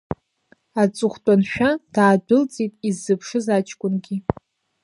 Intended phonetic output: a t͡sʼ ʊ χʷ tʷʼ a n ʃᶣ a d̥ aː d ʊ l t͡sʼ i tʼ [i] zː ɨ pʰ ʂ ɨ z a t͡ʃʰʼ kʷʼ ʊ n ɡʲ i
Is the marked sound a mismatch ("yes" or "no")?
no